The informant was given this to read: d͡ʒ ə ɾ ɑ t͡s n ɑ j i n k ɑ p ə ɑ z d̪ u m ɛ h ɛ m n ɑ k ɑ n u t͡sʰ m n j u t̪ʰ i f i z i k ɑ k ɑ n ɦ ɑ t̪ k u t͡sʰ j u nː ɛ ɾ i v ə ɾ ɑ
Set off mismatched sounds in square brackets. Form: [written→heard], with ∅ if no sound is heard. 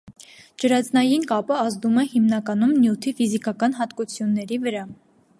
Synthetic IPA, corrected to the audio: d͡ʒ ə ɾ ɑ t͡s n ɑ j i n k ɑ p ə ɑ z d̪ u m ɛ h [ɛ→i] m n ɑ k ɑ n u [t͡sʰ→∅] m n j u t̪ʰ i f i z i k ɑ k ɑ n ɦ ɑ t̪ k u t͡sʰ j u nː ɛ ɾ i v ə ɾ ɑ